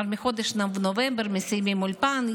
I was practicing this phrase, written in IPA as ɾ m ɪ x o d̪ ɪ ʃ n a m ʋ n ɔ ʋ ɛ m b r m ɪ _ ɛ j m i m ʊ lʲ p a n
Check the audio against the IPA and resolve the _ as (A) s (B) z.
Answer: A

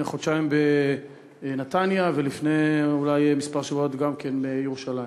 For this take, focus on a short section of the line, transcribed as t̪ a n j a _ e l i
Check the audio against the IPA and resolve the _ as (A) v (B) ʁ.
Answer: A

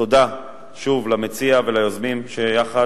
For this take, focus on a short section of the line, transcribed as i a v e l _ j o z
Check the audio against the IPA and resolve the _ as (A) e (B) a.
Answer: B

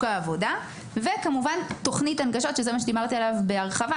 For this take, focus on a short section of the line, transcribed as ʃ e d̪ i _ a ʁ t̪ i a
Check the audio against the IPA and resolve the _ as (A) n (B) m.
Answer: B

